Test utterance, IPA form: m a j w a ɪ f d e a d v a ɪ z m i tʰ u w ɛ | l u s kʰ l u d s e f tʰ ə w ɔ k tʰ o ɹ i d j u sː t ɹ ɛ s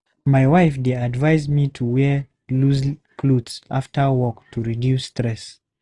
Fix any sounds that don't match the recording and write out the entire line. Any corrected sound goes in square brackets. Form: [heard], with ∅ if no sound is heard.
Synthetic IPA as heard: m a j w a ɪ f d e a d v a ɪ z m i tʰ u w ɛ | l u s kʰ l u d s [a] f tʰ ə w ɔ k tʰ [u] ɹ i d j u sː t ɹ ɛ s